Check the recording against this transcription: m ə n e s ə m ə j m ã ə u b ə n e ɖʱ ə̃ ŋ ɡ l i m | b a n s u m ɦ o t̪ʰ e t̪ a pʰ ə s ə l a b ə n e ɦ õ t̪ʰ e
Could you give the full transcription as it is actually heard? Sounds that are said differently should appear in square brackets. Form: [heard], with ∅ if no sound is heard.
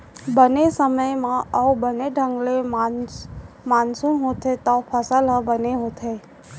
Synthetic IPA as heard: [b] ə n e s ə m ə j m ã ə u b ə n e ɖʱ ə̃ ŋ ɡ l [e] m | [m] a n s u m ɦ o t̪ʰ e t̪ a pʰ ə s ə l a b ə n e ɦ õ t̪ʰ e